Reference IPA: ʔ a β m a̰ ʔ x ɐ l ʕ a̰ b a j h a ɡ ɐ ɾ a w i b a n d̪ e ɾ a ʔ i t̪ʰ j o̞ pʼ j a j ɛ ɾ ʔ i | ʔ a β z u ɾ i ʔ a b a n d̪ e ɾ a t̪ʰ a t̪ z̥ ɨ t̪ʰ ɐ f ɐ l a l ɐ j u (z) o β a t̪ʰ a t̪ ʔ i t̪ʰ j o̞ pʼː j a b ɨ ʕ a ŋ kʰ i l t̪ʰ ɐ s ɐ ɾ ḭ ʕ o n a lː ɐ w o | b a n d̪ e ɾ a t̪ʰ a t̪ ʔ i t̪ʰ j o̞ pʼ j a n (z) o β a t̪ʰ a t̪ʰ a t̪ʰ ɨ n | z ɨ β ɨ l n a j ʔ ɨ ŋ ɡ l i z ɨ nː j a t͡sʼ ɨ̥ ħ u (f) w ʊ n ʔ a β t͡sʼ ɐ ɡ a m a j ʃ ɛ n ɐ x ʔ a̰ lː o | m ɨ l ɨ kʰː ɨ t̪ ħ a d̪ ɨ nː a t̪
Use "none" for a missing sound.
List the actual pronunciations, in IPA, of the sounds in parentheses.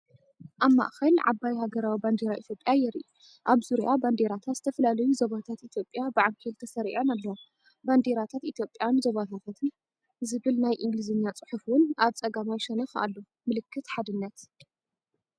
z, z, f

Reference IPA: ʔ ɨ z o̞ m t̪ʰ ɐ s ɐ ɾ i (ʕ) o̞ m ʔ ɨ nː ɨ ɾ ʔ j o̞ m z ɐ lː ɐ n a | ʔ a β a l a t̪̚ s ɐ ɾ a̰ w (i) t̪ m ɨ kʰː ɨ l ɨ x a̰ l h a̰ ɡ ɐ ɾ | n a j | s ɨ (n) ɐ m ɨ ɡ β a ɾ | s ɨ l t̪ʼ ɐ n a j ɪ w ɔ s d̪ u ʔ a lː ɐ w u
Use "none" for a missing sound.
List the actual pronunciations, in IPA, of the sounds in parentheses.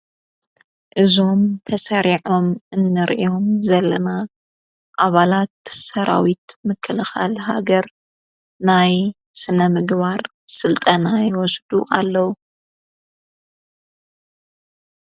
ʕ, i, n

